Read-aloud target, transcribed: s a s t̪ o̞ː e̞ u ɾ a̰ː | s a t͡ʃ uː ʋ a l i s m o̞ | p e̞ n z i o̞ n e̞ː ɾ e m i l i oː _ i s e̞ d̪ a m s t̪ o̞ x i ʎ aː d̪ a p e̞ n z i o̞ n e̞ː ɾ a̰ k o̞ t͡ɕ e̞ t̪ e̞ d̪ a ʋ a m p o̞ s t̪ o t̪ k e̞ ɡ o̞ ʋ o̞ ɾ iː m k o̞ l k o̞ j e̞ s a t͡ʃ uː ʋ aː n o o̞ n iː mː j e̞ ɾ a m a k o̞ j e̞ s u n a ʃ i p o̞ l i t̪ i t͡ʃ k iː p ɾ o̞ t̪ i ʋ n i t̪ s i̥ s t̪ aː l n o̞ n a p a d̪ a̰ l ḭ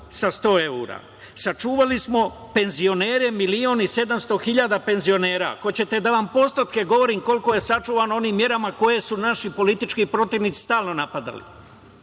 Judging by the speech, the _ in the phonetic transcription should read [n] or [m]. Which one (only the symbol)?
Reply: n